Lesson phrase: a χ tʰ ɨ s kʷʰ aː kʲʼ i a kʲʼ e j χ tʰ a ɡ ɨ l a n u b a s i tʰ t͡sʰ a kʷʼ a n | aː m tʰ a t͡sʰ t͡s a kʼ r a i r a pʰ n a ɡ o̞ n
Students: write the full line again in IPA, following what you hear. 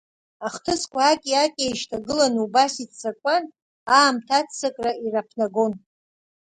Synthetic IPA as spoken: a χ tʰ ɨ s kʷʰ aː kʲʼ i a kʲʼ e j ʃ tʰ a ɡ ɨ l a n u b a s i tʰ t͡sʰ a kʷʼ a n | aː m tʰ a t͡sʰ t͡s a kʼ r a i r a pʰ n a ɡ o̞ n